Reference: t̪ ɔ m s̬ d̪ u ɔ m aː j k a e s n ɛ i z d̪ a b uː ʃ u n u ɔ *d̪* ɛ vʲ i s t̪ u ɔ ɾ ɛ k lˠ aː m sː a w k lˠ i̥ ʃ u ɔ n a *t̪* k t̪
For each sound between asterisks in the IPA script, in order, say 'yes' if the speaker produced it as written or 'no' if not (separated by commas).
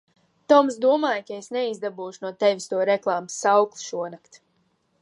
no, no